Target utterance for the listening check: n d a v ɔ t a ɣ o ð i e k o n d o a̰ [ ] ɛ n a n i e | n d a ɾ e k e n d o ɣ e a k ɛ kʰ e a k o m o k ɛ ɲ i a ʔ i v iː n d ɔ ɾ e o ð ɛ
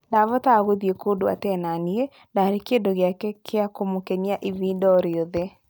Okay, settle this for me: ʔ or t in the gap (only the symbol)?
t